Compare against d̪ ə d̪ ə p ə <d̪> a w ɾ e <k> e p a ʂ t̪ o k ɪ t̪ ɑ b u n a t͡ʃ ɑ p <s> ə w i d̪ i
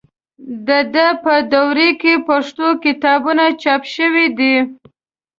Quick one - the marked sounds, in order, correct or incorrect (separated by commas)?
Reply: correct, correct, incorrect